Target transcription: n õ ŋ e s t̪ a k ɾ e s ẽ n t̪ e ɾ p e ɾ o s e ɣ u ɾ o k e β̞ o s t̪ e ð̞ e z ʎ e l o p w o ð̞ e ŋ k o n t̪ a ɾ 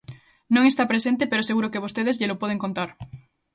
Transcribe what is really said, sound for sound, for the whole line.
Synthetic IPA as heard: n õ ŋ e s t̪ a p ɾ e s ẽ n t̪ e p e ɾ o s e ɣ u ɾ o k e β̞ o s t̪ e ð̞ e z ʎ e l o p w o ð̞ e ŋ k o n t̪ a ɾ